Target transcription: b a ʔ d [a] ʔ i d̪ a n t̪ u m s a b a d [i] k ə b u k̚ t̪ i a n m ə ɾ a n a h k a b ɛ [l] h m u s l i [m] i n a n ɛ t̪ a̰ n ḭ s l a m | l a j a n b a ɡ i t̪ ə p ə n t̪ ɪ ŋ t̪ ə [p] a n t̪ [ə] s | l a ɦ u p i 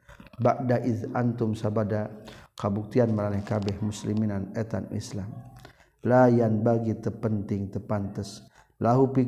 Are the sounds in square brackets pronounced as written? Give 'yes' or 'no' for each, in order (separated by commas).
yes, no, no, yes, yes, yes